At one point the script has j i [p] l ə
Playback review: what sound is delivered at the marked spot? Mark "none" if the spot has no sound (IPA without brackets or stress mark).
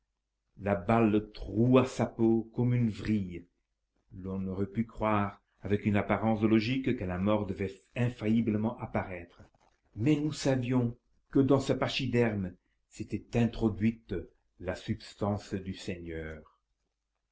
b